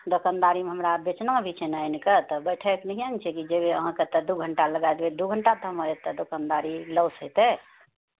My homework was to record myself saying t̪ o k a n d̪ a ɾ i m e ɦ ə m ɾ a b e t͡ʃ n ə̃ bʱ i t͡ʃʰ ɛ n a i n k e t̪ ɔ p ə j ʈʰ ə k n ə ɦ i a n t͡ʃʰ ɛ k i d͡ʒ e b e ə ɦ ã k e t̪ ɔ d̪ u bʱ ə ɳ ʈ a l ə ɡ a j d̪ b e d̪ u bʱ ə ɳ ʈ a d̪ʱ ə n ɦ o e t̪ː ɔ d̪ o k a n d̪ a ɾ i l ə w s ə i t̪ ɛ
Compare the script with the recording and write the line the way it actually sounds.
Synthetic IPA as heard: d̪ o k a n d̪ a ɾ i m e ɦ ə m ɾ a b e t͡ʃ n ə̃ bʱ i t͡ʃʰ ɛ n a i n k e t̪ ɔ b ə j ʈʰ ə k n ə ɦ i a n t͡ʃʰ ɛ k i d͡ʒ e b e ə ɦ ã k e t̪ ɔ d̪ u ɡʱ ə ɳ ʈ a l ə ɡ a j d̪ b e d̪ u ɡʱ ə ɳ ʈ a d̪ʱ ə m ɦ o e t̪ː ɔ d̪ o k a n d̪ a ɾ i l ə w s ə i t̪ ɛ